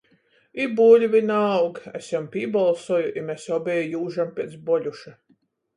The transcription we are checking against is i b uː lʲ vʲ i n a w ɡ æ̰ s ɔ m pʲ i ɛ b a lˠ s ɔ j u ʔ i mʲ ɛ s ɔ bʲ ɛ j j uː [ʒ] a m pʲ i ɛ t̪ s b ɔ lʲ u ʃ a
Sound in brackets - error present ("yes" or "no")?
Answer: no